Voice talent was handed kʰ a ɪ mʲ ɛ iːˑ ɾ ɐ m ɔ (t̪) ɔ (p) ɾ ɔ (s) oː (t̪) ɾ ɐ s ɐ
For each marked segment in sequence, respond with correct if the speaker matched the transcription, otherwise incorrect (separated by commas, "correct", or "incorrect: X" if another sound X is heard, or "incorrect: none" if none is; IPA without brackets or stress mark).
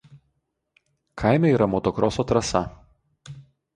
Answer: correct, incorrect: k, correct, correct